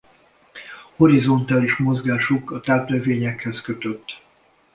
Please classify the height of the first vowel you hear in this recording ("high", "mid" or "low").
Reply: mid